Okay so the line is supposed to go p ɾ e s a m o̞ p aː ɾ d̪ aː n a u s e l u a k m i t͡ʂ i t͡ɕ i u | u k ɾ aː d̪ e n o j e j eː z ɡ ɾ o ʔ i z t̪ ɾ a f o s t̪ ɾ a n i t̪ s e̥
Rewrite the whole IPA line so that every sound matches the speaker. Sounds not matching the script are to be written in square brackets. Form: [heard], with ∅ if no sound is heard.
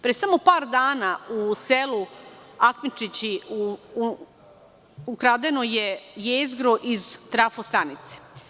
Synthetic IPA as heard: p ɾ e s a m o̞ p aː ɾ d̪ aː n a u s e l u a k m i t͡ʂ i t͡ɕ i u | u k ɾ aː d̪ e n o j e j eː z ɡ ɾ o ʔ i z t̪ ɾ a f o s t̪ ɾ a n i t̪ s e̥